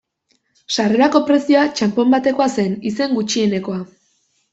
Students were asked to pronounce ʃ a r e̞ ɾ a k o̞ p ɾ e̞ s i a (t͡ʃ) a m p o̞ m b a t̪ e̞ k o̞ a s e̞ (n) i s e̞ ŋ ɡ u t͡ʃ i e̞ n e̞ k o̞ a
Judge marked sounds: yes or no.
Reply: yes, yes

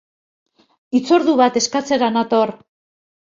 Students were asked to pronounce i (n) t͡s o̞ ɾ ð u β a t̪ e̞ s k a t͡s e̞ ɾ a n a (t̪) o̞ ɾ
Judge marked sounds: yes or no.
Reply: no, yes

